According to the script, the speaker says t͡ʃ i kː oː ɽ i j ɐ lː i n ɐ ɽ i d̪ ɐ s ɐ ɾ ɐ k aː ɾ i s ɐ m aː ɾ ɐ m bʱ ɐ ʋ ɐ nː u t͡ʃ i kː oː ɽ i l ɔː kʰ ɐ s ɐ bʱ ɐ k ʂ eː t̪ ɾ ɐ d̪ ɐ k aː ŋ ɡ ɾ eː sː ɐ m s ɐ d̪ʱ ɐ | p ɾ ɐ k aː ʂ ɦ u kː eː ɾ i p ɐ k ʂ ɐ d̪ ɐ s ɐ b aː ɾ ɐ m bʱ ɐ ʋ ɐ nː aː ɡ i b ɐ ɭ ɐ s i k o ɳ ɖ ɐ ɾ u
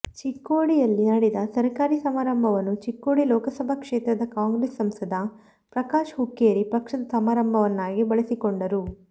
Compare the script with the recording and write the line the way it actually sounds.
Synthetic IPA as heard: t͡ʃ i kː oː ɽ i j ɐ lː i n ɐ ɽ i d̪ ɐ s ɐ ɾ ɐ k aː ɾ i s ɐ m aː ɾ ɐ m bʱ ɐ ʋ ɐ nː u t͡ʃ i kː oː ɽ i l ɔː k ɐ s ɐ bʱ ɐ k ʂ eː t̪ ɾ ɐ d̪ ɐ k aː ŋ ɡ ɾ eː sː ɐ m s ɐ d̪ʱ ɐ | p ɾ ɐ k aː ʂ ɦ u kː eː ɾ i p ɐ k ʂ ɐ d̪ ɐ s ɐ m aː ɾ ɐ m bʱ ɐ ʋ ɐ nː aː ɡ i b ɐ ɭ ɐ s i k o ɳ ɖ ɐ ɾ u